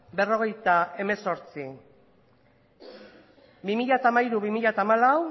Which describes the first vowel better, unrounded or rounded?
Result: unrounded